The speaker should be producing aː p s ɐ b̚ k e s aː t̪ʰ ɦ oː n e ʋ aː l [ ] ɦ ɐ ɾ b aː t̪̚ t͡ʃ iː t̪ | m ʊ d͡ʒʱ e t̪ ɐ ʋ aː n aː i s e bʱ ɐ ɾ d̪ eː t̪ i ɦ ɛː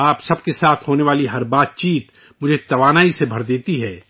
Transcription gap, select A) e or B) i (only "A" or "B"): B